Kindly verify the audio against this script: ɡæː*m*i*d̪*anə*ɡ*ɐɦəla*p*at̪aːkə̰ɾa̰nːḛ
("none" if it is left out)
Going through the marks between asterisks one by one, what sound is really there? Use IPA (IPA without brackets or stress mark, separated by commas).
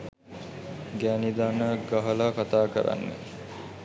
n, d̪, ɡ, k